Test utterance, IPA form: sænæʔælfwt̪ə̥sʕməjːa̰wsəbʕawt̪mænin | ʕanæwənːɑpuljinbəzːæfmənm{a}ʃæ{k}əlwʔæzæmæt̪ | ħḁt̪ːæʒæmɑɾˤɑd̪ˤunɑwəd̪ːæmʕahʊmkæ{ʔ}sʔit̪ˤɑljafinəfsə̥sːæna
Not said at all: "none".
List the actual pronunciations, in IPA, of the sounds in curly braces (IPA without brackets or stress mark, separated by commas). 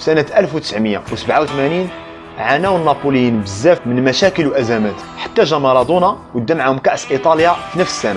æ, k, ʔ